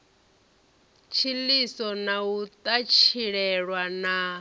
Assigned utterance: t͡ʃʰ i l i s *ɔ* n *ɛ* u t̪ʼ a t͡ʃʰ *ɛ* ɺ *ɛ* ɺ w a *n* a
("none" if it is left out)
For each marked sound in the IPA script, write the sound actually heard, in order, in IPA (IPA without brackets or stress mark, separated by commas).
ɔ, a, i, ɛ, n